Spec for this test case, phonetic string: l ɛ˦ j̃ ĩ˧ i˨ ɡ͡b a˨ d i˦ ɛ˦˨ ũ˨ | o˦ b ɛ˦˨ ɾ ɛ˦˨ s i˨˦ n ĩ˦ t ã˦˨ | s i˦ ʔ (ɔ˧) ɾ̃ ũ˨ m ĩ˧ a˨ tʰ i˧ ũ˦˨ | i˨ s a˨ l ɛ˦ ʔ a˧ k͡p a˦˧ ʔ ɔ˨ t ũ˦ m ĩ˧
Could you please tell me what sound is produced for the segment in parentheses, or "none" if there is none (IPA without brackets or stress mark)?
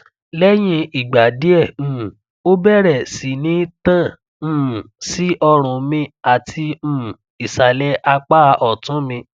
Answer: ɔ˧